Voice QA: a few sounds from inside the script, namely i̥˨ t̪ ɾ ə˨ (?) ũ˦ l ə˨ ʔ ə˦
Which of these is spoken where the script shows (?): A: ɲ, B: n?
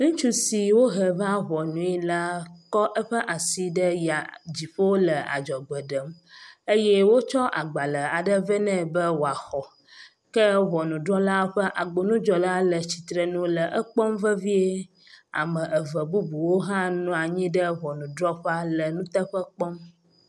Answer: B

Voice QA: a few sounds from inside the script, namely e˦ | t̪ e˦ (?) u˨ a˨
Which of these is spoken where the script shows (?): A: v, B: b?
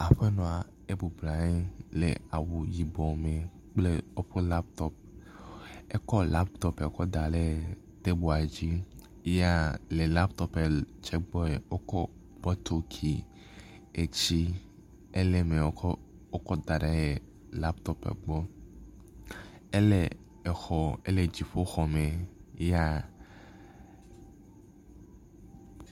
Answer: B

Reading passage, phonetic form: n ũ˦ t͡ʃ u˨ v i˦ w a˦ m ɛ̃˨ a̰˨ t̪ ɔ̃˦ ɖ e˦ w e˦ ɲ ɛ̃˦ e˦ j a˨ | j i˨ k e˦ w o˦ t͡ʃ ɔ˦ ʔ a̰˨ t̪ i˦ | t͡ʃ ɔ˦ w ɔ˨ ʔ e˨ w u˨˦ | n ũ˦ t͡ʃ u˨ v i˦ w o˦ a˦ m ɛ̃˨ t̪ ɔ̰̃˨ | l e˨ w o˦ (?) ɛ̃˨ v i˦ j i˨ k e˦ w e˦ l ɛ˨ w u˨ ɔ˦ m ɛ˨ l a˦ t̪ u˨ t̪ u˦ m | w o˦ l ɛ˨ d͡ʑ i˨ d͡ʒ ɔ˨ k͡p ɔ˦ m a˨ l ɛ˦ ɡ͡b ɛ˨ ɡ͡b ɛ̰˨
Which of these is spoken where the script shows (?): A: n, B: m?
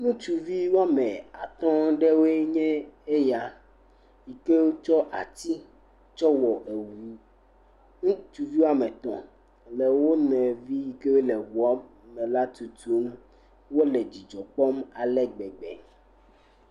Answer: A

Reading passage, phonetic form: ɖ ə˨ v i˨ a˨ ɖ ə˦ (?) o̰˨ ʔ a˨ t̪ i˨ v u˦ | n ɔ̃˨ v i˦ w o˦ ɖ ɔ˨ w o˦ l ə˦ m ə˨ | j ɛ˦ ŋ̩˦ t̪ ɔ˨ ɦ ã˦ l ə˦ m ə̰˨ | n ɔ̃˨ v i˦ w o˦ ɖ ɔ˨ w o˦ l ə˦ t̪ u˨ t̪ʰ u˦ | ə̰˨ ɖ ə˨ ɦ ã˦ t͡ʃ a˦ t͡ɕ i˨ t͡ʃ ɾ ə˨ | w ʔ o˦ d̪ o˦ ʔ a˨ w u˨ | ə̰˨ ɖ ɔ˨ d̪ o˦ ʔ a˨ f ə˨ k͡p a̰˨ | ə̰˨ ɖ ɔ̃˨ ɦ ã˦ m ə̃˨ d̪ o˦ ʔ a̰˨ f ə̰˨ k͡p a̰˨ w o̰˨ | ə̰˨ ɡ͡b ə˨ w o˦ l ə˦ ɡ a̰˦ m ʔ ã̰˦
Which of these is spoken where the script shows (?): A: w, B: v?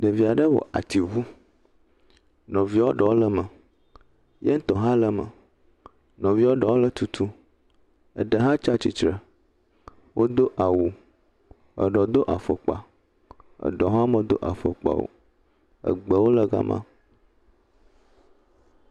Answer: A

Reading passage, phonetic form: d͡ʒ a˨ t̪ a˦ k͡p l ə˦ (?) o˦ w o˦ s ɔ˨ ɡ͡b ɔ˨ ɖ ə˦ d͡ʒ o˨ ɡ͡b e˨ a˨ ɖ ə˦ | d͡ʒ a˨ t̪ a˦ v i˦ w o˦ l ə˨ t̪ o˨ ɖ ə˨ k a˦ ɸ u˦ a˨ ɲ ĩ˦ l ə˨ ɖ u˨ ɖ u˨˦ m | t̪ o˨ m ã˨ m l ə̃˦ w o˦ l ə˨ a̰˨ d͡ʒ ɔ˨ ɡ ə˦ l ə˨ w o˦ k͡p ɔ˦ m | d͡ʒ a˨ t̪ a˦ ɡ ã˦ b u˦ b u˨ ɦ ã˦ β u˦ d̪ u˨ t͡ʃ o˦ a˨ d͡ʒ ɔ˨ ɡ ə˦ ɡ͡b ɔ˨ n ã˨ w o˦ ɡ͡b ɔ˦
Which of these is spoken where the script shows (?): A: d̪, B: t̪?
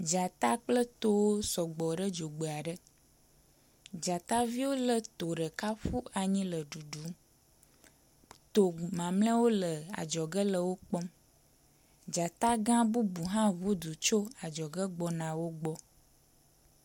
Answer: B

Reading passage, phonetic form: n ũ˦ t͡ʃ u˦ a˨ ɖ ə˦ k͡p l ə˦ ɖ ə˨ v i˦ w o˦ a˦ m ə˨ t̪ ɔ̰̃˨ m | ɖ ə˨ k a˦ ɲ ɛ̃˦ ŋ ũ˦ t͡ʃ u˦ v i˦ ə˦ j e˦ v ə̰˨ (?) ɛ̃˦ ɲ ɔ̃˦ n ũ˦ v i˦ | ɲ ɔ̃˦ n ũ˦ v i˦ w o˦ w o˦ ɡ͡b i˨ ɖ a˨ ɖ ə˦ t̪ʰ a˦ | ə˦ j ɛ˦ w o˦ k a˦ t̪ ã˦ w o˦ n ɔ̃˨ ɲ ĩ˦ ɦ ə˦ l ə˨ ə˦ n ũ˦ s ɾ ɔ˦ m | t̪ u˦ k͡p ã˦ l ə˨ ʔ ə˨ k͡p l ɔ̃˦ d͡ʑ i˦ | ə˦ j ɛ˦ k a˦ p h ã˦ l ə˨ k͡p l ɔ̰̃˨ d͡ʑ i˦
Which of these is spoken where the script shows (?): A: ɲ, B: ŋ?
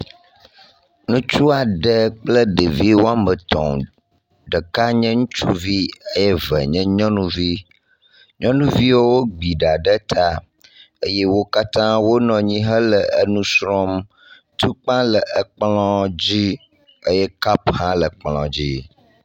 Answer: A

